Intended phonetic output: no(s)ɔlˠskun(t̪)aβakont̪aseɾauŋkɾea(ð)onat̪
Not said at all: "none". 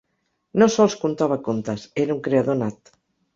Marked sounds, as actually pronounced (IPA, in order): s, t̪, ð

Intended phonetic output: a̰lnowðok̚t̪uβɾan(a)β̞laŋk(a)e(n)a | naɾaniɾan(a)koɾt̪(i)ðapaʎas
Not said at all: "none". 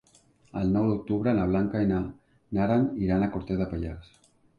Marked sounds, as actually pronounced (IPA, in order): a, a, n, a, e

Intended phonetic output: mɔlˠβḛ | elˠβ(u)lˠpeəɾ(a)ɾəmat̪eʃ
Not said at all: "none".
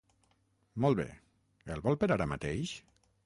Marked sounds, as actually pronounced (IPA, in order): ɔ, a

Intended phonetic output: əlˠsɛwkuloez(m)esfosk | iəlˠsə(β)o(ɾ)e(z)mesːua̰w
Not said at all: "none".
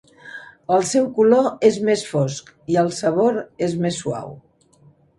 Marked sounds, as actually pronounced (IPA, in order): m, β, ɾ, z

